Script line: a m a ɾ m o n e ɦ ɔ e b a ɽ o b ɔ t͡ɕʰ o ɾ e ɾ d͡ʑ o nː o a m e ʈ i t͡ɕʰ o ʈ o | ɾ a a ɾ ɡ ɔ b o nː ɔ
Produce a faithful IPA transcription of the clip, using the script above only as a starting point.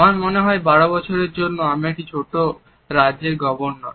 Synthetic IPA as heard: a m a ɾ m o n e ɦ ɔ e b a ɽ o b ɔ t͡ɕʰ o ɾ e ɾ d͡ʑ o nː o a m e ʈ i t͡ɕʰ o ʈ o | ɾ a e ɾ ɡ ɔ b o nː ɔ